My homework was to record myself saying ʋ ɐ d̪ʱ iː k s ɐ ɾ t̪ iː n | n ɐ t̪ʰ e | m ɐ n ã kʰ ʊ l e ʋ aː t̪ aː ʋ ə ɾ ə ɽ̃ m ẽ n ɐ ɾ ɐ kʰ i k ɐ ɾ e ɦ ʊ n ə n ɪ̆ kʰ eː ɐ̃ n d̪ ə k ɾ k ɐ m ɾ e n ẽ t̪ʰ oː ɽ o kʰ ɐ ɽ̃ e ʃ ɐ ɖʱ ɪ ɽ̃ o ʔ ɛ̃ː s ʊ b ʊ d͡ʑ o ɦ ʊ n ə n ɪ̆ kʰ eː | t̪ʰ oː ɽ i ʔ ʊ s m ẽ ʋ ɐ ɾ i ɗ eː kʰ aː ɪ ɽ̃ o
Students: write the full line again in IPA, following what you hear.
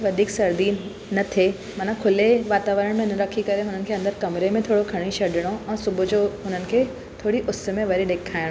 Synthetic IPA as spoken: ʋ ɐ d̪ʱ iː k s ɐ ɾ d̪ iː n | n ɐ t̪ʰ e | m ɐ n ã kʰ ʊ l e ʋ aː t̪ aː ʋ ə ɾ ə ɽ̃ m ẽ n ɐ ɾ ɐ kʰ i k ɐ ɾ e ɦ ʊ n ə n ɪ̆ kʰ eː ɐ̃ n d̪ ə ɾ k ɐ m ɾ e m ẽ t̪ʰ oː ɽ o kʰ ɐ ɽ̃ i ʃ ɐ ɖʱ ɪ ɽ̃ o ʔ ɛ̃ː s ʊ b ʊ d͡ʑ o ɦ ʊ n ə n ɪ̆ kʰ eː | t̪ʰ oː ɽ i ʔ ʊ s m ẽ ʋ ɐ ɾ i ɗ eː kʰ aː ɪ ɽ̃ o